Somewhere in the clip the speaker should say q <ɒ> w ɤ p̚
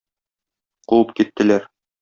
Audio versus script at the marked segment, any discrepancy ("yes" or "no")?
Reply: yes